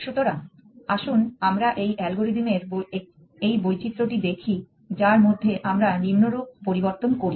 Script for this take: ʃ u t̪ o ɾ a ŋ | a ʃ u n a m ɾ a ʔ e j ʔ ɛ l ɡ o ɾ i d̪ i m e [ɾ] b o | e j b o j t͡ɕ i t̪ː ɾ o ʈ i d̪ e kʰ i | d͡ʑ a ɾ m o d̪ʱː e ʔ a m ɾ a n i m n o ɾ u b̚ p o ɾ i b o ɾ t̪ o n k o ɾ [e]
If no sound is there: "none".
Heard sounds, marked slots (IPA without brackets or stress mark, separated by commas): ɾ, i